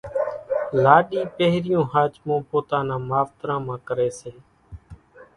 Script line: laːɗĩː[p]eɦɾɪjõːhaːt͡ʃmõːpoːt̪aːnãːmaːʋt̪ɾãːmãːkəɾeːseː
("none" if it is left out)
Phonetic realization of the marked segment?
p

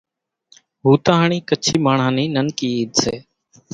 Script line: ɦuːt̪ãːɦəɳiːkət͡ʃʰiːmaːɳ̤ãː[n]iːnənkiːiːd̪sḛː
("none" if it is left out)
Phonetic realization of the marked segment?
n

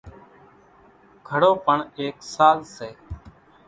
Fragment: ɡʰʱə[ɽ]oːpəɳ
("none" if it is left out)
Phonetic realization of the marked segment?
ɽ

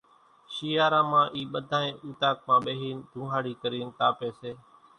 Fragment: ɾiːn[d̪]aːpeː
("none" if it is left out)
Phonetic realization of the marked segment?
t̪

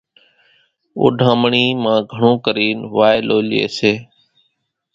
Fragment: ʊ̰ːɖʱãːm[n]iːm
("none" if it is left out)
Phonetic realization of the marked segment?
ɳ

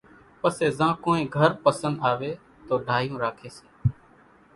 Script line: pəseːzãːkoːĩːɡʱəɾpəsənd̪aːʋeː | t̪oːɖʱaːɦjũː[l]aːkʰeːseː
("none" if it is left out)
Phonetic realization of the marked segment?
ɾ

